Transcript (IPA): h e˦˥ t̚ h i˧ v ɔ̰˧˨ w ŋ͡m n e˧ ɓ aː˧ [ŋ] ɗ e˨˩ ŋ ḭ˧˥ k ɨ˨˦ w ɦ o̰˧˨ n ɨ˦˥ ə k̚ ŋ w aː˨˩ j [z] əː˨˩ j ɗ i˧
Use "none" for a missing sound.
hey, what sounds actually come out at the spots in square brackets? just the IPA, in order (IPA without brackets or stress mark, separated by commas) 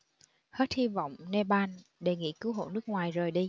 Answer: n, z